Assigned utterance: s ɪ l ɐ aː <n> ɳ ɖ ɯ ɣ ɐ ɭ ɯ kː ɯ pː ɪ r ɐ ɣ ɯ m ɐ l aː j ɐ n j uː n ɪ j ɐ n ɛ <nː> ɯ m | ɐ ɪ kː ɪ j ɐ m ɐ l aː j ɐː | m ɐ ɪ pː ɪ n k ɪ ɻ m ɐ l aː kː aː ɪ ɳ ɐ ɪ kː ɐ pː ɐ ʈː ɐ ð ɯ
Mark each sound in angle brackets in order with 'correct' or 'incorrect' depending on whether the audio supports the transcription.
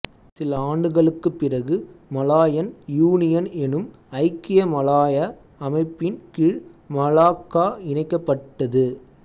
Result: incorrect: none, incorrect: n

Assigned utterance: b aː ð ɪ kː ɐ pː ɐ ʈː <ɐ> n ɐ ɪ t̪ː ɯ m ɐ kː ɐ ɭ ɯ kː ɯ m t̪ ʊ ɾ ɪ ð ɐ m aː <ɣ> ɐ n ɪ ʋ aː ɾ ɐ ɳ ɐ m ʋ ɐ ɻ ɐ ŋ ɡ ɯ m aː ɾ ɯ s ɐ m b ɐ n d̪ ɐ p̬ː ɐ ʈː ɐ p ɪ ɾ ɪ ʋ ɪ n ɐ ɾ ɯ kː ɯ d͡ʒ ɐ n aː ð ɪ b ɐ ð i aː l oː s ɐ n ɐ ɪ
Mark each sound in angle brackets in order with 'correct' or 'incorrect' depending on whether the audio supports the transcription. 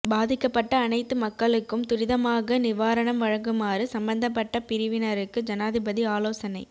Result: incorrect: ɐː, correct

